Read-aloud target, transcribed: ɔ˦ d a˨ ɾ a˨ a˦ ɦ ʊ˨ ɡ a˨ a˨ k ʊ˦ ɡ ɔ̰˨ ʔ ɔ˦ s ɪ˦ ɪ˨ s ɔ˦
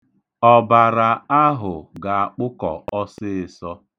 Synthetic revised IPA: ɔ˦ b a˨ ɾ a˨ a˦ ɦ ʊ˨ ɡ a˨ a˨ k͡p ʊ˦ k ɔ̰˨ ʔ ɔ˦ s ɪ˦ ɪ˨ s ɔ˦